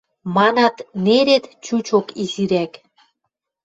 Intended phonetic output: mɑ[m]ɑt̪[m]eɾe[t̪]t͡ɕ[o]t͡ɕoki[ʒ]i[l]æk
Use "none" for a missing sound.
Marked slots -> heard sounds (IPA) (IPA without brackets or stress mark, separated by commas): n, n, t̪, u, z, ɾ